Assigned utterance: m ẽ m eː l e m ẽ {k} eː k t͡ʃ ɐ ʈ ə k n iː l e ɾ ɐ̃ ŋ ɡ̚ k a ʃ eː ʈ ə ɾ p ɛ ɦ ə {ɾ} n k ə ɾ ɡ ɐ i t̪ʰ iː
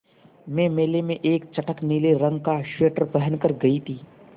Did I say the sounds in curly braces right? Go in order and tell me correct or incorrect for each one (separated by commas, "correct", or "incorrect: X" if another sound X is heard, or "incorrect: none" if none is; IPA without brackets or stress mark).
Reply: incorrect: ʔ, incorrect: none